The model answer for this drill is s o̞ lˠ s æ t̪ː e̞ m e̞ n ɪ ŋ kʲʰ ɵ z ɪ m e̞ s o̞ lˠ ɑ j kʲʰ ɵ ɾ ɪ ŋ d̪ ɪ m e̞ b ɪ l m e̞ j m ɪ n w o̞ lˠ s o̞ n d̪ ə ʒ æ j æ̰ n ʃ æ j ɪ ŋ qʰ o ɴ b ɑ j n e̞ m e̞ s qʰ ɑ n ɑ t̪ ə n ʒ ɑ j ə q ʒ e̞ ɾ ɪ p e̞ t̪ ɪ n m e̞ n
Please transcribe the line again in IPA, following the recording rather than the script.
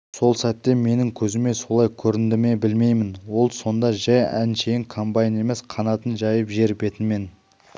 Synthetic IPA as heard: s o̞ lˠ s æ t̪ː e̞ m e̞ n ɪ ŋ kʲʰ ɵ z ɪ m e̞ s o̞ lˠ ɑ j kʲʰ ɵ ɾ ɪ n d̪ ɪ m e̞ b ɪ l m e̞ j m ɪ n w o̞ lˠ s o̞ n d̪ ɑ ʒ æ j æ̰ n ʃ e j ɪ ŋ kʰ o m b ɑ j n e̞ m e̞ s qʰ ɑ n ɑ t̪ ə n ʒ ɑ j ə p ʒ e̞ ɾ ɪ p e̞ t̪ ɪ n m e̞ n